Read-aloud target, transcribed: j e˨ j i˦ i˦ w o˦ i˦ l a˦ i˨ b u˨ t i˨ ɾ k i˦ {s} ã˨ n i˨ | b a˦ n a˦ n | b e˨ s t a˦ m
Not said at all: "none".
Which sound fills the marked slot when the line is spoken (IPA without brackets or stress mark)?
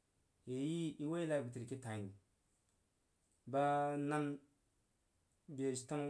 t